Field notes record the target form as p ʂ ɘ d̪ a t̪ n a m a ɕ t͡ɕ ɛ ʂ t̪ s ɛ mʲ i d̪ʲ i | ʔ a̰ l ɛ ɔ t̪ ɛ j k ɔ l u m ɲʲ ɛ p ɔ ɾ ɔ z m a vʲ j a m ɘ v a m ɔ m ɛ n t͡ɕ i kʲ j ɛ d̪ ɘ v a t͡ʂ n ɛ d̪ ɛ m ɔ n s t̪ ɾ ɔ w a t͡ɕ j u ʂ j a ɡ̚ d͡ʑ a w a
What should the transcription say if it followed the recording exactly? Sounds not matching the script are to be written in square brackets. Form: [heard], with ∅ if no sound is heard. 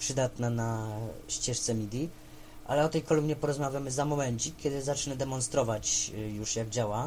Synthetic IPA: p ʂ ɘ d̪ a t̪ n a [n] a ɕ t͡ɕ ɛ ʂ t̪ s ɛ mʲ i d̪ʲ i | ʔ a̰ l ɛ ɔ t̪ ɛ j k ɔ l u m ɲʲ ɛ p ɔ ɾ ɔ z m a vʲ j a m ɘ [z] a m ɔ m ɛ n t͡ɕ i kʲ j ɛ d̪ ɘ [z] a t͡ʂ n ɛ d̪ ɛ m ɔ n s t̪ ɾ ɔ [v] a t͡ɕ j u ʂ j a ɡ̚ d͡ʑ a w a